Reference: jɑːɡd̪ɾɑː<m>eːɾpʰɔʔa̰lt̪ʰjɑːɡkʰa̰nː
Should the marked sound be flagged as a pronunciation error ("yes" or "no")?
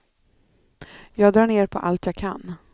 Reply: yes